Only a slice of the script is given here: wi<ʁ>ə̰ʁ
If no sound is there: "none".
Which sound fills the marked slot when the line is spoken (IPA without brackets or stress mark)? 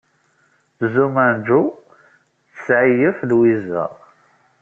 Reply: z